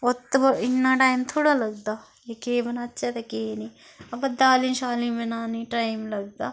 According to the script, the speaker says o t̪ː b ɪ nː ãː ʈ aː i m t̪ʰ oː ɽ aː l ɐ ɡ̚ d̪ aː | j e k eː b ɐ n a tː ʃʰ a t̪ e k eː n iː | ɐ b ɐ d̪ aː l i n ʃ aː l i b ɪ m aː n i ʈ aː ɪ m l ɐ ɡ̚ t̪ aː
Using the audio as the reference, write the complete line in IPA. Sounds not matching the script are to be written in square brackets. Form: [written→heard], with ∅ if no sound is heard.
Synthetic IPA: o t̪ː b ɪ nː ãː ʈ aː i m t̪ʰ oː ɽ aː l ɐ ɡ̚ d̪ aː | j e k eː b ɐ n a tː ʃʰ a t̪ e k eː n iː | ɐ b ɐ d̪ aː l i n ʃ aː l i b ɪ [m→n] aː n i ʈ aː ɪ m l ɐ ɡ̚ [t̪→d̪] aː